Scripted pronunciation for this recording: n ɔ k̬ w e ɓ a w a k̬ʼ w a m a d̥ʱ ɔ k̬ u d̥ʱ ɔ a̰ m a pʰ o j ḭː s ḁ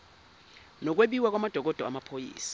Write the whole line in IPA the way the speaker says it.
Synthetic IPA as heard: n ɔ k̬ w e ɓ i w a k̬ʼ w a m a d̥ʱ ɔ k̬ ɔ d̥ʱ ɔ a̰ m a pʰ o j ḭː s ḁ